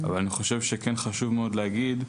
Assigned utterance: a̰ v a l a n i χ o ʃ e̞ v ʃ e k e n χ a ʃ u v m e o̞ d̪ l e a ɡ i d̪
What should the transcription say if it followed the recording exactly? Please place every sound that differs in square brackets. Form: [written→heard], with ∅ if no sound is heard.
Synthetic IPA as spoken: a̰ v a l a n i χ o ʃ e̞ v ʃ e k e n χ a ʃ u v m e o̞ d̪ l e a ɡ i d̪

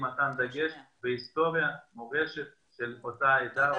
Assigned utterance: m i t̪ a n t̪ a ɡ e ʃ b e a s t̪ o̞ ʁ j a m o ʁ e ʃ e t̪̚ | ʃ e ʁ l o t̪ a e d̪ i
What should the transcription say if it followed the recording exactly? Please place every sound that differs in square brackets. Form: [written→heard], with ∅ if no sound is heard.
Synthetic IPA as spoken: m [i→a] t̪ a n [t̪→d̪] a ɡ e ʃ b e [a→i] s t̪ o̞ ʁ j a m o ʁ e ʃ e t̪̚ | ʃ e [ʁ→∅] l o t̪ a e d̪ [i→a]

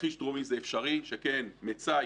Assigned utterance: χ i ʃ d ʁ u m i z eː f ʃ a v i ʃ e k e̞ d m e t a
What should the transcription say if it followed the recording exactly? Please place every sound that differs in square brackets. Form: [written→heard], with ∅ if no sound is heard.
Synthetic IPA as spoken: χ i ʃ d ʁ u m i z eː f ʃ a [v→ʁ] i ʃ e k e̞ [d→n] m e [t→t͡s] a

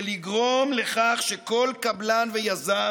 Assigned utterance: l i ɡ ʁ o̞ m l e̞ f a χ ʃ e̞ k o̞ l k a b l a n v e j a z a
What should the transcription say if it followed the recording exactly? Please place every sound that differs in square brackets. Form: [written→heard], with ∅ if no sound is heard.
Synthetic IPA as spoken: l i ɡ ʁ o̞ m l e̞ [f→χ] a χ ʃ e̞ k o̞ l k a b l a n v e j a z a

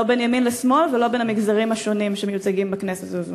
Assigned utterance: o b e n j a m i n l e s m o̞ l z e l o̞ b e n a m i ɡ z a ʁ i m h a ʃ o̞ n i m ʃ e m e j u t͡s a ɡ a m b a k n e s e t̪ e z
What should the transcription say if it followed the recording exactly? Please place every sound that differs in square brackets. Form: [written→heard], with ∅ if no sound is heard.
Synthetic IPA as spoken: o b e n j a m i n l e s m o̞ l [z→v] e l o̞ b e n a m i ɡ z a ʁ i m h a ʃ o̞ n i m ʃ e m e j u t͡s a ɡ [a→i] m b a k n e s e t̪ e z

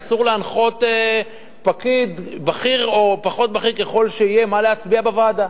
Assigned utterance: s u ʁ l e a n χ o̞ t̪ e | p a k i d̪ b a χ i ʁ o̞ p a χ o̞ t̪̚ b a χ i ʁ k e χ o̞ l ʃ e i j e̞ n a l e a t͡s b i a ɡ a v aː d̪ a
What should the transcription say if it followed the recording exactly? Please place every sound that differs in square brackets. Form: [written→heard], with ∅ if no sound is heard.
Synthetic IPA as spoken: s u ʁ l e a n χ o̞ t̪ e | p a k i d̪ b a χ i ʁ o̞ p a χ o̞ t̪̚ b a χ i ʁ k e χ o̞ l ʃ e i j e̞ [n→m] a l e a t͡s b i a [ɡ→b] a v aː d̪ a

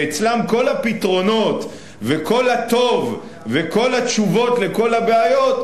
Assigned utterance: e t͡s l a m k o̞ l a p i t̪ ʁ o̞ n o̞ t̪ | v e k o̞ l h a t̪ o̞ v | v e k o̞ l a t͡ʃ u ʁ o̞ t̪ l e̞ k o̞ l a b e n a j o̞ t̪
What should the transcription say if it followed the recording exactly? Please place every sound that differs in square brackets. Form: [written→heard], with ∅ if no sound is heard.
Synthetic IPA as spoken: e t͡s l a m k o̞ l a p i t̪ ʁ o̞ n o̞ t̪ | v e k o̞ l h a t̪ o̞ v | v e k o̞ l a t͡ʃ u [ʁ→v] o̞ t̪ l e̞ k o̞ l a b e [n→∅] a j o̞ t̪

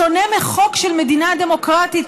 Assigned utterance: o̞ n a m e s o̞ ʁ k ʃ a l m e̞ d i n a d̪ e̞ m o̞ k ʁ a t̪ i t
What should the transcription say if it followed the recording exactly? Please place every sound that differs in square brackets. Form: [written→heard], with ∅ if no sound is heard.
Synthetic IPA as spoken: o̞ n [a→e] m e [s→χ] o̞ [ʁ→∅] k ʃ [a→e] l m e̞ d i n a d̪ e̞ m o̞ k ʁ a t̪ i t

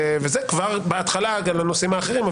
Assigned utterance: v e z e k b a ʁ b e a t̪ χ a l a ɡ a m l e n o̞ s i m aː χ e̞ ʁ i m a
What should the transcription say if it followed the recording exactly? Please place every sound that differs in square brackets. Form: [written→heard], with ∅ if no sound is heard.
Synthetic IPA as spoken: v e z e k [b→v] a ʁ b e a t̪ χ a l a ɡ a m l [e→a] n o̞ s i m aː χ e̞ ʁ i m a

